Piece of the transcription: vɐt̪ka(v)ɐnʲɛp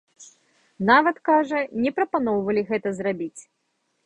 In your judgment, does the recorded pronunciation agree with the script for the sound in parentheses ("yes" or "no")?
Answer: no